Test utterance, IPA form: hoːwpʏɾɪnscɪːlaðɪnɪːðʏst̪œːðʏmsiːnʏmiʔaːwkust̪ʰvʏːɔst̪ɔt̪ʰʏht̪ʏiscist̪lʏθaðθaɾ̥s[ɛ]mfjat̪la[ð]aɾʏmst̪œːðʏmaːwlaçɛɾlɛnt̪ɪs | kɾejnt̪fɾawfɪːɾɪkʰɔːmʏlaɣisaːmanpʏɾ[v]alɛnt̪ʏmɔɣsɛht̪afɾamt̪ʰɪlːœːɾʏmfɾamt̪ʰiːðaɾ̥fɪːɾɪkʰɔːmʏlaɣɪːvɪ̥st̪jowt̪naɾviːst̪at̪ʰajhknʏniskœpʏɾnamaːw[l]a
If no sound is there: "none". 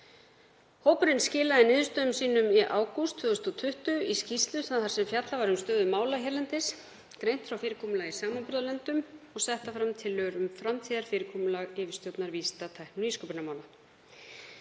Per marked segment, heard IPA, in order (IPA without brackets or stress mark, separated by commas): ɛ, v, ð, l